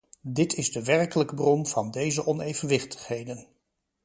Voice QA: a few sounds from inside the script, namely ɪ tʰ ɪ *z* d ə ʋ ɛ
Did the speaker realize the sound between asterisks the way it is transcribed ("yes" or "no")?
yes